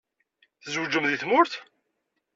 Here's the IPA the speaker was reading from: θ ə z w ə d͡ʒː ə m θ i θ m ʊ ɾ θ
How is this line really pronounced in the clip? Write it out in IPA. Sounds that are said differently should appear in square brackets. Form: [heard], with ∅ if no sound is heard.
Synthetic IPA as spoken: θ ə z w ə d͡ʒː ə m [ð] i θ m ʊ ɾ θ